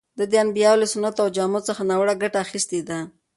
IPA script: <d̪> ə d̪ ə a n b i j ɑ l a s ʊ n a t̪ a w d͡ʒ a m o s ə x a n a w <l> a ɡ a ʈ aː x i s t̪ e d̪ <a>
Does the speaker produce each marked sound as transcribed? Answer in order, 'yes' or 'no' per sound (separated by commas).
yes, no, yes